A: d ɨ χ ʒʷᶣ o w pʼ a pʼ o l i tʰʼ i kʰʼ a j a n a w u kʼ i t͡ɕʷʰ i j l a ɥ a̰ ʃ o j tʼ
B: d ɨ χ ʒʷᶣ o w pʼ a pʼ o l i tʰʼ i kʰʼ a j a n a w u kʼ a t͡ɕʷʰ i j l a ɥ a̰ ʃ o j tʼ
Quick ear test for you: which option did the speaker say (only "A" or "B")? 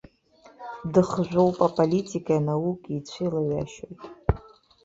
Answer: A